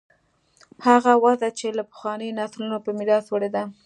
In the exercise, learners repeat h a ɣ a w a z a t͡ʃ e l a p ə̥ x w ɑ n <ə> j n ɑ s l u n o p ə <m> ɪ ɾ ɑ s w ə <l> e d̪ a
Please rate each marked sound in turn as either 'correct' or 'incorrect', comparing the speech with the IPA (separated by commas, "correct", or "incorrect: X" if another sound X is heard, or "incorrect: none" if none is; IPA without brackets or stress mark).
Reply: correct, correct, incorrect: ɽ